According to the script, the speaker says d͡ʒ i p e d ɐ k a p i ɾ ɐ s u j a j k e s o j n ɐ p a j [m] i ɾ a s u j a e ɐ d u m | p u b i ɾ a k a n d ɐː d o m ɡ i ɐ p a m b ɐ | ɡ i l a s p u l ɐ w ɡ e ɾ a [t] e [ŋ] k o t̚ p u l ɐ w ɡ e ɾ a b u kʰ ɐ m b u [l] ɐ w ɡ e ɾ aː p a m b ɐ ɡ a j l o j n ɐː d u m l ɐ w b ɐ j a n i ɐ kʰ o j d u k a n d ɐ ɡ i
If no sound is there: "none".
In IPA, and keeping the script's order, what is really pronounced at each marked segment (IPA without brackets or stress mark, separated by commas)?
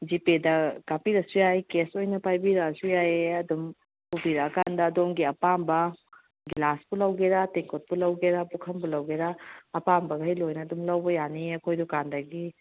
b, t, ŋ, l